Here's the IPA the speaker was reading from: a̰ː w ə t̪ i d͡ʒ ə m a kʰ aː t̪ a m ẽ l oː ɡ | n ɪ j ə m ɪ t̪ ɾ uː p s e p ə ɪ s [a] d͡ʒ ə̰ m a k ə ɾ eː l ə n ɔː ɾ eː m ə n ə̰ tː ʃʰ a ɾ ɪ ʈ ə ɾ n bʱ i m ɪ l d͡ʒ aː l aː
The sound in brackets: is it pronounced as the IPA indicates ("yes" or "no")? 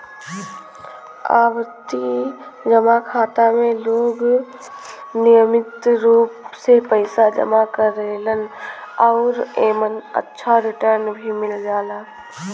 yes